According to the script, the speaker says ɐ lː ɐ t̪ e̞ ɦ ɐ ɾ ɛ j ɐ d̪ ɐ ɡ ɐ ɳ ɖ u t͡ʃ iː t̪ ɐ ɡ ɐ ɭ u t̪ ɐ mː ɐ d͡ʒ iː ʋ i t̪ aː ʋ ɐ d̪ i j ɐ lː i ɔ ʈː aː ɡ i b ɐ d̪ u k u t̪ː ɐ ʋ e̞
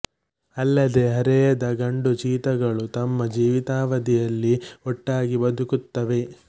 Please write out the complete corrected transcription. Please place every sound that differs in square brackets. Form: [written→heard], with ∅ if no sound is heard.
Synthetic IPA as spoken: ɐ lː ɐ [t̪→d̪] e̞ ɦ ɐ ɾ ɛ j ɐ d̪ ɐ ɡ ɐ ɳ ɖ u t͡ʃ iː t̪ ɐ ɡ ɐ ɭ u t̪ ɐ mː ɐ d͡ʒ iː ʋ i t̪ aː ʋ ɐ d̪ i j ɐ lː i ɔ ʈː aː ɡ i b ɐ d̪ u k u t̪ː ɐ ʋ e̞

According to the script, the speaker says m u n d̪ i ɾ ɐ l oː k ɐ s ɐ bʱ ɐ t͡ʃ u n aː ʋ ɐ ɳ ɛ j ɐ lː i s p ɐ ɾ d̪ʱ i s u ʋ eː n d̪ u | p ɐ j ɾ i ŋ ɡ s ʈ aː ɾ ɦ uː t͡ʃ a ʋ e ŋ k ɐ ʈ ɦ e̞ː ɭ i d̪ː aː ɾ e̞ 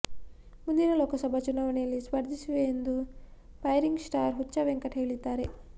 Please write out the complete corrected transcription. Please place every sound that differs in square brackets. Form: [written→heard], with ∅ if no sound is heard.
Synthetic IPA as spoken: m u n d̪ i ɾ ɐ l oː k ɐ s ɐ bʱ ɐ t͡ʃ u n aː ʋ ɐ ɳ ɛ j ɐ lː i s p ɐ ɾ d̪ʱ i s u ʋ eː n d̪ u | p ɐ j ɾ i ŋ ɡ s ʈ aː ɾ ɦ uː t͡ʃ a ʋ e ŋ k ɐ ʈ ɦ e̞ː ɭ i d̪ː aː ɾ e̞

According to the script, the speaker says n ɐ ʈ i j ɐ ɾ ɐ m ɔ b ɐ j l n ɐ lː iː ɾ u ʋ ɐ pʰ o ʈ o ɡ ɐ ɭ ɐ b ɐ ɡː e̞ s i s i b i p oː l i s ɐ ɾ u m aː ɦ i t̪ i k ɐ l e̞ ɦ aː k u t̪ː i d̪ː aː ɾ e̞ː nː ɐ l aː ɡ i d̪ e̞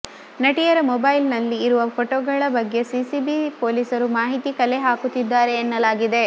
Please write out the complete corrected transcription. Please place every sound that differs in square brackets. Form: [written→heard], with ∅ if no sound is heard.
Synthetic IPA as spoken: n ɐ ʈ i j ɐ ɾ ɐ m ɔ b ɐ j l n ɐ lː iː ɾ u ʋ ɐ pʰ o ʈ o ɡ ɐ ɭ ɐ b ɐ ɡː e̞ s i s i b i p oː l i s ɐ ɾ u m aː ɦ i t̪ i k ɐ l e̞ ɦ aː k u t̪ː i d̪ː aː ɾ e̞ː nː ɐ l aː ɡ i d̪ e̞

